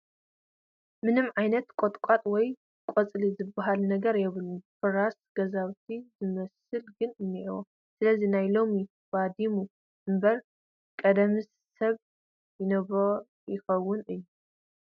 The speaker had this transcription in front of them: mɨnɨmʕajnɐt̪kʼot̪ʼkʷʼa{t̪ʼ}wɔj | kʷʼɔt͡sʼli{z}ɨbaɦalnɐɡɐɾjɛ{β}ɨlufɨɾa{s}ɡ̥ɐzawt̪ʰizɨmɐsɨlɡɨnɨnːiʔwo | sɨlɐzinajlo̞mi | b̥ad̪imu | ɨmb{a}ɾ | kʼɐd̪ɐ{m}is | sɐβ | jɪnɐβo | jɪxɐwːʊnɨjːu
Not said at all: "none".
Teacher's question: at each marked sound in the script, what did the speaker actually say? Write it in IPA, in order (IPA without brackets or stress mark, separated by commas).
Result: t̪ʼ, z, β, s, ɐ, m